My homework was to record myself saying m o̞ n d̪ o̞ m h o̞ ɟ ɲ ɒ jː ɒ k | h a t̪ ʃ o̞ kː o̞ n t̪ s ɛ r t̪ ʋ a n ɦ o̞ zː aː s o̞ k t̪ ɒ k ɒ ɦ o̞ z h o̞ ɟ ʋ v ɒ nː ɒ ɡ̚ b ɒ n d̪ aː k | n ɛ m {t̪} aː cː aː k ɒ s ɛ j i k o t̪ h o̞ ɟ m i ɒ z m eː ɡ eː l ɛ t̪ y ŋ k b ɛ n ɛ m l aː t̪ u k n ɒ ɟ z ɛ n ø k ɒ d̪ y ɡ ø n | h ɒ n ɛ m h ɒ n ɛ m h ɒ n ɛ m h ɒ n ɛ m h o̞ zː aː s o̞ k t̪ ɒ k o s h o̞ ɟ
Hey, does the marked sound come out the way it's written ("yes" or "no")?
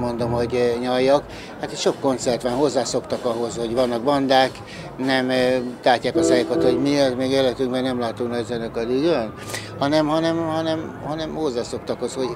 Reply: yes